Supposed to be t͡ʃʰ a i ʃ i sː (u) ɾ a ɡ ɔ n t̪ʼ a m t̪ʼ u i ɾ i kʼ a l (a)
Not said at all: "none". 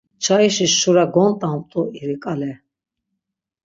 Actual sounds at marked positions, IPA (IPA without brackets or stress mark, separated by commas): u, ɛ